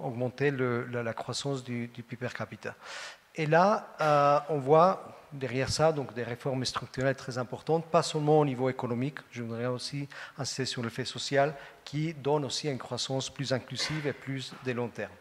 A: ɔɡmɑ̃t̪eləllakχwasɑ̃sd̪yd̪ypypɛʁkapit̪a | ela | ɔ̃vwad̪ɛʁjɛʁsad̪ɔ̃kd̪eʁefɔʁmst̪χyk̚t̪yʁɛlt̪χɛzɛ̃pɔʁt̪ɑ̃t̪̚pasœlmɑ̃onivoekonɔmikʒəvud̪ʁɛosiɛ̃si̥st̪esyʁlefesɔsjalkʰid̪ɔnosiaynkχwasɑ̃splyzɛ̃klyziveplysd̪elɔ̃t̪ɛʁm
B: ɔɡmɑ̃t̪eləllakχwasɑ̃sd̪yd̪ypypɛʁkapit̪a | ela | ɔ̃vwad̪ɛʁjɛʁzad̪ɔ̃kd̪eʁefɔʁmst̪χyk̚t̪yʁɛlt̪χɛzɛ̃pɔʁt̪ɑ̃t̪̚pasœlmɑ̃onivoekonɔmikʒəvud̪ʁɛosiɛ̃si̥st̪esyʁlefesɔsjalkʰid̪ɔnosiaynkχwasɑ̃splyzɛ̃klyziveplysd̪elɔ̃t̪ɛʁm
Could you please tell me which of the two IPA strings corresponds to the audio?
A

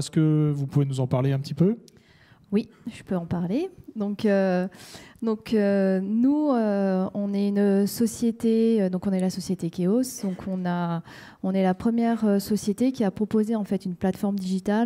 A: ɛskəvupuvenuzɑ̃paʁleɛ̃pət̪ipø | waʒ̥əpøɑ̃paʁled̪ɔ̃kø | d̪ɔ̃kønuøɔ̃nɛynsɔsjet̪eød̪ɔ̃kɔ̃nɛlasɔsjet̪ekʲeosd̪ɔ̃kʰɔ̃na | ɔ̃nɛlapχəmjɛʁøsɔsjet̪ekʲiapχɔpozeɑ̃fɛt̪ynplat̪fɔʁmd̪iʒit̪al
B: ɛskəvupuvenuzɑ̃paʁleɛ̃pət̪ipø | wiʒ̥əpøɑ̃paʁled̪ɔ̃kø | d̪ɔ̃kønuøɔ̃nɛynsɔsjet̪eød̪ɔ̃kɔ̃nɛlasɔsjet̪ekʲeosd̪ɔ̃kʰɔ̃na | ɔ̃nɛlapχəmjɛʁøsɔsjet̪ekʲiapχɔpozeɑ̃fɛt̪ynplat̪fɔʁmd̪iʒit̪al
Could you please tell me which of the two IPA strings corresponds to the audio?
B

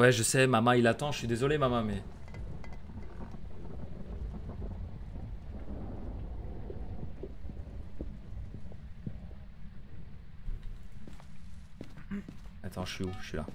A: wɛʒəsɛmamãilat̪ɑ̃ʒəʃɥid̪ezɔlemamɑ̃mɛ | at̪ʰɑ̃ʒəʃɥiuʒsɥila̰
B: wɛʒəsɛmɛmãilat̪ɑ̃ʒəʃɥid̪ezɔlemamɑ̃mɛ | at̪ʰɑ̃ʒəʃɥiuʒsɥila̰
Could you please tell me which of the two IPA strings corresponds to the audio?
A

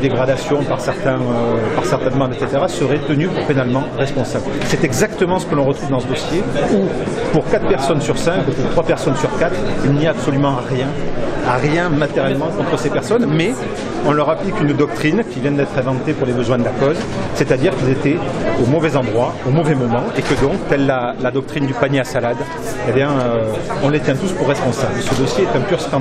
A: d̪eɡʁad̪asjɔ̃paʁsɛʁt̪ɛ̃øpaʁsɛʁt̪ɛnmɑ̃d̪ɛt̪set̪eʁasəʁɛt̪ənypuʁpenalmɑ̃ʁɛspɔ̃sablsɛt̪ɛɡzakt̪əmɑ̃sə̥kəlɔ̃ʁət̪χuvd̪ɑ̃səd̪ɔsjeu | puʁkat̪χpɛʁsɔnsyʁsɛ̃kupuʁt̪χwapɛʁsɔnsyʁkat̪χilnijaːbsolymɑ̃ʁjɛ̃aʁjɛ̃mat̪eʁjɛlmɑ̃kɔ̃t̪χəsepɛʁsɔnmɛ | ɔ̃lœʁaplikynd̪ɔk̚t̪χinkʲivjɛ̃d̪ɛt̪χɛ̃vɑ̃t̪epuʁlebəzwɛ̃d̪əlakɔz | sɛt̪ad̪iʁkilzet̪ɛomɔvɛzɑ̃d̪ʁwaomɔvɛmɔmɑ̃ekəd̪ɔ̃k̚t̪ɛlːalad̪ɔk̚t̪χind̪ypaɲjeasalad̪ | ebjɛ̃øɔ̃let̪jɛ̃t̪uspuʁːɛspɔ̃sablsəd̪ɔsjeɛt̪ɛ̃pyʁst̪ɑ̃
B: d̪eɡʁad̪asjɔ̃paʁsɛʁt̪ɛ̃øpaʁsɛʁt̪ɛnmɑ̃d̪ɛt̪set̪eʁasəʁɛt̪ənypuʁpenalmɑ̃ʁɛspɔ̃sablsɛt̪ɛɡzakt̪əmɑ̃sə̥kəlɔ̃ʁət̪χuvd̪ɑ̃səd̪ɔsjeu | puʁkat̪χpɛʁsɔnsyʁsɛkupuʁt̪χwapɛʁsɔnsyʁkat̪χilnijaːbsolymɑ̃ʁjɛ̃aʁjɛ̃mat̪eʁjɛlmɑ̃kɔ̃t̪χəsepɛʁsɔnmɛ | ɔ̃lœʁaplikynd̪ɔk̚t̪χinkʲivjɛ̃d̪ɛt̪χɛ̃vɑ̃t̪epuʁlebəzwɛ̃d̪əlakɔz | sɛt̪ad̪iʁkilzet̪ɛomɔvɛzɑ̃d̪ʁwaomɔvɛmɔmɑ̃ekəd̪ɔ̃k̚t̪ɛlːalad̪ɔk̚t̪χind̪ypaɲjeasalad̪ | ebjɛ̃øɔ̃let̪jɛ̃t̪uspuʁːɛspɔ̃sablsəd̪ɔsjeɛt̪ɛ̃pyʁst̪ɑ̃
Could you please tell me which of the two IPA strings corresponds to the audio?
A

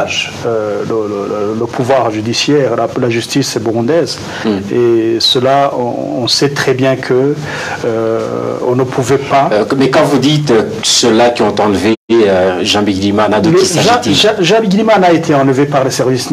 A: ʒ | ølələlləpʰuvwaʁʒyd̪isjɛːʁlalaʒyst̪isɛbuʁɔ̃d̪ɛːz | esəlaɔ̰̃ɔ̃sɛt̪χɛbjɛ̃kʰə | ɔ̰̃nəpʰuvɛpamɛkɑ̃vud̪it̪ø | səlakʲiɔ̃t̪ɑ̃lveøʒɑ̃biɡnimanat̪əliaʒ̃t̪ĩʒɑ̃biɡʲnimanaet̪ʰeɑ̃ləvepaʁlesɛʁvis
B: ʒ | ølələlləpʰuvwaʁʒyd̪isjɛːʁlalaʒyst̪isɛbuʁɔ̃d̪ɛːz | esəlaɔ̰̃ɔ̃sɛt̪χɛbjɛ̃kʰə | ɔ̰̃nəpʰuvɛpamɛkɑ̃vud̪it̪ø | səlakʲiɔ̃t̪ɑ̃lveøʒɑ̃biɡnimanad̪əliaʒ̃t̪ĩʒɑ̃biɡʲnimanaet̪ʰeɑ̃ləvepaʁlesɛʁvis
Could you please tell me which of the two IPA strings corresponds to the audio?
B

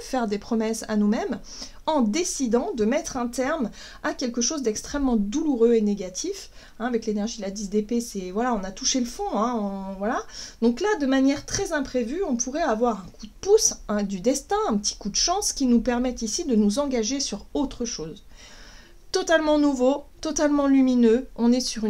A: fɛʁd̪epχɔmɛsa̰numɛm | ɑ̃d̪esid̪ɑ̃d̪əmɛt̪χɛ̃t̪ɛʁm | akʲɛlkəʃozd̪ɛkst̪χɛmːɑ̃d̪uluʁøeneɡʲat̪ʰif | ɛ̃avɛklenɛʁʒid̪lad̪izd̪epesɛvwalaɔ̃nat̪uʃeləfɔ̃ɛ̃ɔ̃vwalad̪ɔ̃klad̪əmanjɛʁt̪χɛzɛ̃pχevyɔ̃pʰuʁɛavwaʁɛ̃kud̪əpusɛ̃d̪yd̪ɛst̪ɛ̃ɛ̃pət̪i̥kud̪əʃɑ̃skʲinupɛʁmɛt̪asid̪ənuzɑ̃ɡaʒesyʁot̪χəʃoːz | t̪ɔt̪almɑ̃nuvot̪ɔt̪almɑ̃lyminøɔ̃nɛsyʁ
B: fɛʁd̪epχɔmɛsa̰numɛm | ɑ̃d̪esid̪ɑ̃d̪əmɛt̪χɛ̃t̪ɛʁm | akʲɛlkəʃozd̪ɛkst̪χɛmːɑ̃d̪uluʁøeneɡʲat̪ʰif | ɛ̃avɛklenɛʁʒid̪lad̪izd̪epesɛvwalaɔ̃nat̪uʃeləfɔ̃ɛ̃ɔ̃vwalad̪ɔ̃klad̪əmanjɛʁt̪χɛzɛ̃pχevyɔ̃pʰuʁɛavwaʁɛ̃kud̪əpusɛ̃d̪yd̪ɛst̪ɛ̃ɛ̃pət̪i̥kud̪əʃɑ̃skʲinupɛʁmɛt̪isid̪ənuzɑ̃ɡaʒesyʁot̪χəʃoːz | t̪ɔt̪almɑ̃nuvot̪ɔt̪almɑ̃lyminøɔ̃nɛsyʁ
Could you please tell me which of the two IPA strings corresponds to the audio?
B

